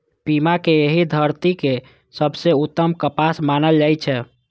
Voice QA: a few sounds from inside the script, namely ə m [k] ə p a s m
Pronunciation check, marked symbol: correct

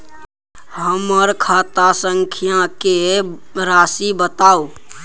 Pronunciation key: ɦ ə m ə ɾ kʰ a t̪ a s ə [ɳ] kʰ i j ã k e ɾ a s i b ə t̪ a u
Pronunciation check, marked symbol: incorrect: ŋ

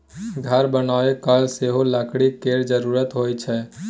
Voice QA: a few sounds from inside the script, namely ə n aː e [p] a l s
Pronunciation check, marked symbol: incorrect: k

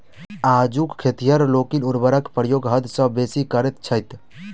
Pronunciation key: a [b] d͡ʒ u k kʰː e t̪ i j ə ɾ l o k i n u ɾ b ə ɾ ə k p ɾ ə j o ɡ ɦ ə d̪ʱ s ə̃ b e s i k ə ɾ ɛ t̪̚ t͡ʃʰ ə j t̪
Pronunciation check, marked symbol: incorrect: none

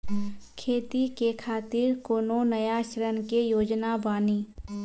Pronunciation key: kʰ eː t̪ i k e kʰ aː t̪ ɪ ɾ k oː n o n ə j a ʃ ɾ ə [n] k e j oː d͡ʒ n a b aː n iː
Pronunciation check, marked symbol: correct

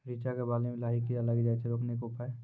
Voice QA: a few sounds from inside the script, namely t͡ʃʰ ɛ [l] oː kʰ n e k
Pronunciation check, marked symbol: incorrect: ɾ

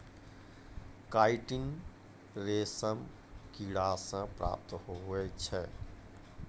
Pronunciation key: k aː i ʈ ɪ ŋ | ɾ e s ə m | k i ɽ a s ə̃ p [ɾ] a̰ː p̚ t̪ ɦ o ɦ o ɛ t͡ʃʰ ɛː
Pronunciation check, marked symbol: correct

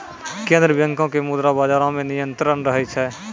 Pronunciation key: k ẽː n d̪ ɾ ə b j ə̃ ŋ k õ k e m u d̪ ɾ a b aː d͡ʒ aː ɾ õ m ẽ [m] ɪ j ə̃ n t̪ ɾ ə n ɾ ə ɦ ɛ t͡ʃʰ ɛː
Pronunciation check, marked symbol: incorrect: n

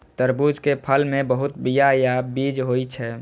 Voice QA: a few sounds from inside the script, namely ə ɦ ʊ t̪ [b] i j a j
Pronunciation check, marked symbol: correct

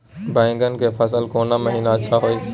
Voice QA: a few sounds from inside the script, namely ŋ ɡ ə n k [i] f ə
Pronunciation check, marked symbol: incorrect: e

